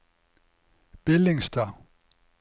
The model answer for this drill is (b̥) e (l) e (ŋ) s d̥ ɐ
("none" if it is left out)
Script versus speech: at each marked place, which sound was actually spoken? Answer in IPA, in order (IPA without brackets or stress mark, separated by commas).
b̥, l, ŋ